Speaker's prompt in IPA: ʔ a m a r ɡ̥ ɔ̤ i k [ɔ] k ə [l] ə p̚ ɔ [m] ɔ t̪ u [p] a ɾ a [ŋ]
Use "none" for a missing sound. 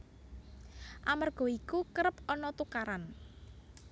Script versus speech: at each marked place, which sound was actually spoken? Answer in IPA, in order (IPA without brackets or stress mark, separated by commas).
u, ɾ, n, k, n